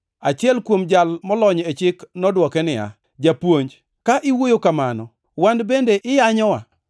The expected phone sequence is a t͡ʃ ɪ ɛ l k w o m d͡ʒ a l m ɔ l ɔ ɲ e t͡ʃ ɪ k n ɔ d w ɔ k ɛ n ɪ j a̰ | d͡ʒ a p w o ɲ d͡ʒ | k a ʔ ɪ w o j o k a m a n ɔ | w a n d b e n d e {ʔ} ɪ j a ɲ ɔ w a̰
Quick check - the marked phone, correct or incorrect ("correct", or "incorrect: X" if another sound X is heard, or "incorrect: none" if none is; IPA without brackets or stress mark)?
correct